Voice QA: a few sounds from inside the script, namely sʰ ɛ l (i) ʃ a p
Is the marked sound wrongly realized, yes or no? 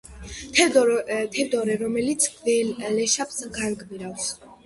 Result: yes